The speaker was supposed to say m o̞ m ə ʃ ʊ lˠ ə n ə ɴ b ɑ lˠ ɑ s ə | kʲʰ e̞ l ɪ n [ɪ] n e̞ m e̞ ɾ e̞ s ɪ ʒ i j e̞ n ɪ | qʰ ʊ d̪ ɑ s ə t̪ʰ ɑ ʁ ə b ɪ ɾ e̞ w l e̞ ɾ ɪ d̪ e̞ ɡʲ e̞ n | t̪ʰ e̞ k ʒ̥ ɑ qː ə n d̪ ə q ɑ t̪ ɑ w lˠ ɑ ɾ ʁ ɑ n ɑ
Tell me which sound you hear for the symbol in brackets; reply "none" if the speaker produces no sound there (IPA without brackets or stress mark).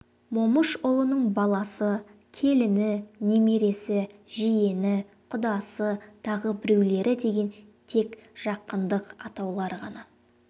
ɪ